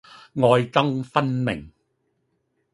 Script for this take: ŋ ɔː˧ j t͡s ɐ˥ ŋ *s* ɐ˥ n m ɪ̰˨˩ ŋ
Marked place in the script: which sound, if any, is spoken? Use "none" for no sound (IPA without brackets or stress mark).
f